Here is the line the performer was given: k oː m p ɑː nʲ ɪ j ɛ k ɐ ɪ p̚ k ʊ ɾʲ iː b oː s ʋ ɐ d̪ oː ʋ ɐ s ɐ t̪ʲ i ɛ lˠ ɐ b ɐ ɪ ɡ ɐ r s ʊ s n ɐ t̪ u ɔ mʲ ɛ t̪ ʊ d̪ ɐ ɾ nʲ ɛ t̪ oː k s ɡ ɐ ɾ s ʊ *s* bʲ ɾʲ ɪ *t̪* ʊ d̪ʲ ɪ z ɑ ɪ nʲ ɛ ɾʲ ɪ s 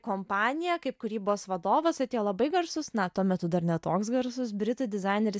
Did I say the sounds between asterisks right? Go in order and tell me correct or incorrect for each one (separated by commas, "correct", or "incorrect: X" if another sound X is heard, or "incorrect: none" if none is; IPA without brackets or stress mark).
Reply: correct, correct